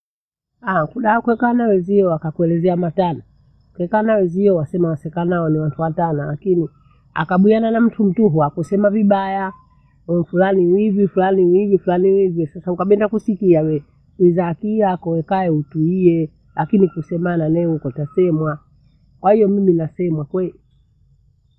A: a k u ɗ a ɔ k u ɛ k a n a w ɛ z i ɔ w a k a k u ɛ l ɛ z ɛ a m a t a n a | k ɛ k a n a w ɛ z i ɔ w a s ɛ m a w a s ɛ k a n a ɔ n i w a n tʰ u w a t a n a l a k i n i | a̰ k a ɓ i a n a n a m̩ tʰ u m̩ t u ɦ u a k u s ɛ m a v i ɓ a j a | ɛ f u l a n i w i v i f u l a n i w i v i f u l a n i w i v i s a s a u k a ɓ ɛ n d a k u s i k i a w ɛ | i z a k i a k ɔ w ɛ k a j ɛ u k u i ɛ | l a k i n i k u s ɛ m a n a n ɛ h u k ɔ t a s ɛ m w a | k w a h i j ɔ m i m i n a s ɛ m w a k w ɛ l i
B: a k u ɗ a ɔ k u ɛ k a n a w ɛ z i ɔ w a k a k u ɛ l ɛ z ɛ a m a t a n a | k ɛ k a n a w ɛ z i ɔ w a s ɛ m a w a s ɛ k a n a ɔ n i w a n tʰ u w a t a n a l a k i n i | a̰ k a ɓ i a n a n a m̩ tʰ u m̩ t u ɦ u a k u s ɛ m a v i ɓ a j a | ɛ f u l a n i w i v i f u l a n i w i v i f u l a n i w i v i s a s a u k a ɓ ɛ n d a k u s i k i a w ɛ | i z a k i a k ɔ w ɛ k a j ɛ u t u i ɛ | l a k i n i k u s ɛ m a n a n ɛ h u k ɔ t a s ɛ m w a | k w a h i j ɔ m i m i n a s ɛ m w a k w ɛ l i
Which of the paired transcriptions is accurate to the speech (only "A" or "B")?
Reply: B